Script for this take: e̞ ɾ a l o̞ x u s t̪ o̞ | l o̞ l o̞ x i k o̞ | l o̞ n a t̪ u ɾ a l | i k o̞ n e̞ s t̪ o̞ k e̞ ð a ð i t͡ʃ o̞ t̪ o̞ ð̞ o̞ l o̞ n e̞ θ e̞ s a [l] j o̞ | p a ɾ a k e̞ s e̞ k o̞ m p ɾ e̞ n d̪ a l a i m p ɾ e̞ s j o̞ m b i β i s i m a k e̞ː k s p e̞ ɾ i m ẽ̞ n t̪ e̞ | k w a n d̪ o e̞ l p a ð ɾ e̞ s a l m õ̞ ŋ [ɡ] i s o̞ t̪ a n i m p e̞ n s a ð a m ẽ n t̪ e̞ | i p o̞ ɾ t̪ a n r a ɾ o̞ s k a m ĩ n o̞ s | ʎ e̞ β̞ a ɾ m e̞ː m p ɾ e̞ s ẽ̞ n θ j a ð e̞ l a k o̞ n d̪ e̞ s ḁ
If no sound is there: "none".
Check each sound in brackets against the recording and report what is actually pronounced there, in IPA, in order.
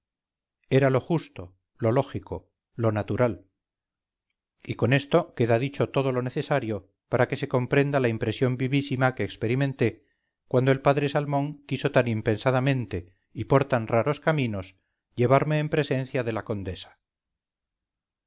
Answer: ɾ, k

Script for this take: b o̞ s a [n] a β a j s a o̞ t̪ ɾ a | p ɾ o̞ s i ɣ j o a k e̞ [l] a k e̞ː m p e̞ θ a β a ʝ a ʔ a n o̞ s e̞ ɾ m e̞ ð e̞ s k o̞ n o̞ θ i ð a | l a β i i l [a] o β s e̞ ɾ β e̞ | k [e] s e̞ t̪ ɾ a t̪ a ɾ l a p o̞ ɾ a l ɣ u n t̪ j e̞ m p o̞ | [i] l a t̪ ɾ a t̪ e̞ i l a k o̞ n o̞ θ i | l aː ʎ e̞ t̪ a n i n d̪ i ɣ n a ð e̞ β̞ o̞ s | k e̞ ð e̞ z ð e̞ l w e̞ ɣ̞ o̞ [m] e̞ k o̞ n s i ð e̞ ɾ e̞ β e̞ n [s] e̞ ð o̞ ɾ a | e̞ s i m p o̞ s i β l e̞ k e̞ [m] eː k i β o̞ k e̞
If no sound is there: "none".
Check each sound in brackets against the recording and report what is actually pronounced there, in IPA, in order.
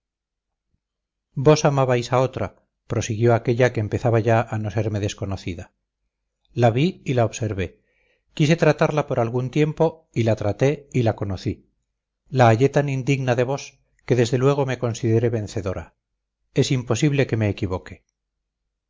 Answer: m, ʎ, a, i, i, m, θ, m

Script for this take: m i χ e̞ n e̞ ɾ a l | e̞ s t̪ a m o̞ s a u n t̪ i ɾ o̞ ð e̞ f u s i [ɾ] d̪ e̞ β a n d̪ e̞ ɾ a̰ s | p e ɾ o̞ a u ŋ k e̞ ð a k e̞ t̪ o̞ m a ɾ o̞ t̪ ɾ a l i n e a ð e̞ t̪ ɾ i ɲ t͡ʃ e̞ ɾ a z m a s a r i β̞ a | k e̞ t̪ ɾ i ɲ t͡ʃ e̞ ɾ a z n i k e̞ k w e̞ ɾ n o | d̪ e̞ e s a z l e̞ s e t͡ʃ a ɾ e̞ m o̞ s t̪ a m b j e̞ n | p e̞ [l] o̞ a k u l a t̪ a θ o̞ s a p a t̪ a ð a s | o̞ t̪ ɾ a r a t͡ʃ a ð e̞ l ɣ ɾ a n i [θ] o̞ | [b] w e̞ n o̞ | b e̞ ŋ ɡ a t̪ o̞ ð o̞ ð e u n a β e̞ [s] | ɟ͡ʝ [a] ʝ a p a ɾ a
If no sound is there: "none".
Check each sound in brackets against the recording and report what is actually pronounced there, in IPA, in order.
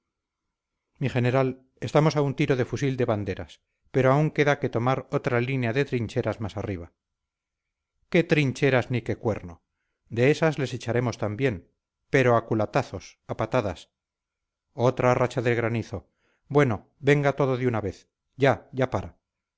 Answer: l, ɾ, θ, b, θ, a

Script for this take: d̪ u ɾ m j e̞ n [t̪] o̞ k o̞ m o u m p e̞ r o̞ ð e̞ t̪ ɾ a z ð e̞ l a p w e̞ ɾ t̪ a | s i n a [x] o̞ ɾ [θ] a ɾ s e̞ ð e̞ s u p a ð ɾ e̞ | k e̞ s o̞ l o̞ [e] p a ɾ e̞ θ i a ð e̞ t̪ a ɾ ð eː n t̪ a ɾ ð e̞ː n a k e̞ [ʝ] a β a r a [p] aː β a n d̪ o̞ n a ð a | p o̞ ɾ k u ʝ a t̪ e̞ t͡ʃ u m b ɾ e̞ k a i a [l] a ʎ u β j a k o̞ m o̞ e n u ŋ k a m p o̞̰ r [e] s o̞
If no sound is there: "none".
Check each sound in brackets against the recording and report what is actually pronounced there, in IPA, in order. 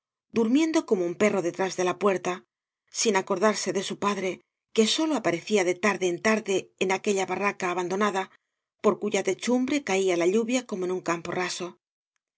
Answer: d̪, k, ð, a, ʎ, k, l, a

